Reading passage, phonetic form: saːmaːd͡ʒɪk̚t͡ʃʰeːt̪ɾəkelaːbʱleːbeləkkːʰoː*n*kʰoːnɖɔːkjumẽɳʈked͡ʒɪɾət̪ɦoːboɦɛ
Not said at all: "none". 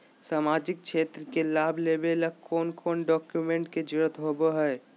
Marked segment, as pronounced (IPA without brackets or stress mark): n